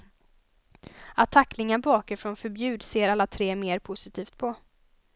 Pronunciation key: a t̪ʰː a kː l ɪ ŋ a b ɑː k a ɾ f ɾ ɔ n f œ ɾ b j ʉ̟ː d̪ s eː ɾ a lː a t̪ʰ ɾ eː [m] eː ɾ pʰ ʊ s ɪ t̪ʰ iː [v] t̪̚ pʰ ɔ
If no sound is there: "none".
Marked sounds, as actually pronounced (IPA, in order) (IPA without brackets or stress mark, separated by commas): m, f